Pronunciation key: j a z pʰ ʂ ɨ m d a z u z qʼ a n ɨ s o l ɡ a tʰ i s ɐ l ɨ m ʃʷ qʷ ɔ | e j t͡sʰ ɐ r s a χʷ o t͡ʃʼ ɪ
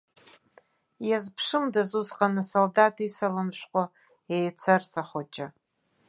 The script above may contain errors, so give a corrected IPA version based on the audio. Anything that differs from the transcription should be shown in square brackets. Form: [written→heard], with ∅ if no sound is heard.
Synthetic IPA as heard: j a z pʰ ʂ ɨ m d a z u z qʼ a n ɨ s o l [ɡ→d] a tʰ i s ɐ l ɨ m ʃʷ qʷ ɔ | e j t͡sʰ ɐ r s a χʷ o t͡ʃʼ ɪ